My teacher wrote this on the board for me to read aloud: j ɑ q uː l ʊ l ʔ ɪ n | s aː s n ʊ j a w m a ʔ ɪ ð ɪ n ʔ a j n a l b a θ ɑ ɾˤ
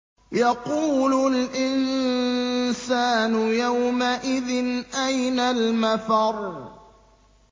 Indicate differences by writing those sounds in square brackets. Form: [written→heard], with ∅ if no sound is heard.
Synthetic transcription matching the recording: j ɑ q uː l ʊ l ʔ ɪ n | s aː [s→∅] n ʊ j a w m a ʔ ɪ ð ɪ n ʔ a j n a l [b→m] a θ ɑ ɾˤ